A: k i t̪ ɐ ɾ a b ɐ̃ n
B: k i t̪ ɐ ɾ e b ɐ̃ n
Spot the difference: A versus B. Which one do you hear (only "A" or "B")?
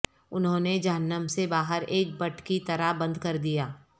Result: A